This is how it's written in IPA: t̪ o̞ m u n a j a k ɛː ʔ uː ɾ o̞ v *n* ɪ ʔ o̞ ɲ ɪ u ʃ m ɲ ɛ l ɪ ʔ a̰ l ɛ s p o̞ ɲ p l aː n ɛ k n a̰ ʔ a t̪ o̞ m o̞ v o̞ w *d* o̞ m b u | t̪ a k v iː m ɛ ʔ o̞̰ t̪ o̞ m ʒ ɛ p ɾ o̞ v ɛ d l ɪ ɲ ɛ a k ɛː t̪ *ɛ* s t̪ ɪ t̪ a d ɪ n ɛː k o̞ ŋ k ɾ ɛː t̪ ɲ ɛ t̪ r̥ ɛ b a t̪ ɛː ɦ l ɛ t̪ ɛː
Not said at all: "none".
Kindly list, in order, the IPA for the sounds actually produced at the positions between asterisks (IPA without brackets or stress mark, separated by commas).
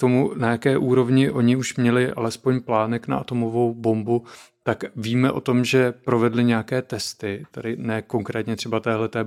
ɲ, b, ɛ